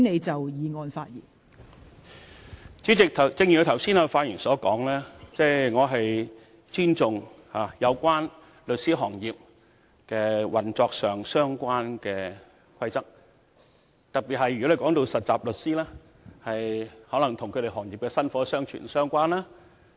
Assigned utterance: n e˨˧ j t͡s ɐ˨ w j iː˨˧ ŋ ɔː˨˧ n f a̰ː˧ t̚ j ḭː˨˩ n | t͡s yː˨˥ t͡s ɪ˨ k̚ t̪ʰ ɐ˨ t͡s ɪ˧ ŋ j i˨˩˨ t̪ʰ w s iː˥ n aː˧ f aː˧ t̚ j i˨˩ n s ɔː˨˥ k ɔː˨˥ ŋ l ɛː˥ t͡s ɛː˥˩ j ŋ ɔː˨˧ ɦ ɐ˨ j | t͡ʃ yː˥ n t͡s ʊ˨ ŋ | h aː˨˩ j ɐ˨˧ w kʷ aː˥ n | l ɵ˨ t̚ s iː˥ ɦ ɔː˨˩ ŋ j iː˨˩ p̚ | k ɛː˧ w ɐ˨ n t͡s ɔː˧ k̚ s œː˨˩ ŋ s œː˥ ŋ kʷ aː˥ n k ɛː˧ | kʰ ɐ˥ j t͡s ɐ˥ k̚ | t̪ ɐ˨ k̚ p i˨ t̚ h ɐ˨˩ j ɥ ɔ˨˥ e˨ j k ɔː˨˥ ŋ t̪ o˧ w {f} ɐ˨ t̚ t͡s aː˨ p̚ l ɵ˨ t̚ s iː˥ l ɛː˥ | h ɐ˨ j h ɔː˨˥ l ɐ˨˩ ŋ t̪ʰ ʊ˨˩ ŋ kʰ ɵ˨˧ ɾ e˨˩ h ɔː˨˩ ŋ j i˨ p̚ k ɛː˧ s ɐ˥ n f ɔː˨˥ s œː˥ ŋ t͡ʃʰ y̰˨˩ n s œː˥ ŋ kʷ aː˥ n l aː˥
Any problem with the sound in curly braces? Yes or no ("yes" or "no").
yes